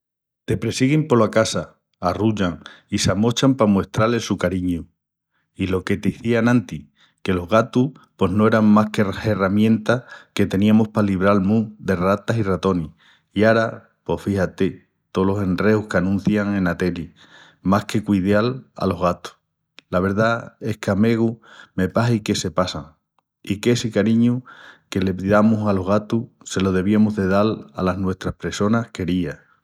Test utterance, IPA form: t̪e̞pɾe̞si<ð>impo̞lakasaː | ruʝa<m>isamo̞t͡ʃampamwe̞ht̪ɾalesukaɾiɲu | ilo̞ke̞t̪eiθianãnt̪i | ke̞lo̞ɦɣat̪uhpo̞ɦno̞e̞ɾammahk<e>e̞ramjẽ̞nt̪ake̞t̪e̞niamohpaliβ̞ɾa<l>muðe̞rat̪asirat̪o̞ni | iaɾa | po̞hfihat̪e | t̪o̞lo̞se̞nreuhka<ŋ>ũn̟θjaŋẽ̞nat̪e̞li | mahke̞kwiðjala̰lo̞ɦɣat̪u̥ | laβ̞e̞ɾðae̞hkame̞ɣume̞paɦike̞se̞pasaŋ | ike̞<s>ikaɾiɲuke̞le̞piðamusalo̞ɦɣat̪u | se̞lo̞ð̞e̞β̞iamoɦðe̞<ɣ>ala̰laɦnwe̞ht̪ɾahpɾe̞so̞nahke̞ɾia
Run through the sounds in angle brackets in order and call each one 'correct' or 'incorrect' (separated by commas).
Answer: incorrect, incorrect, correct, correct, incorrect, correct, incorrect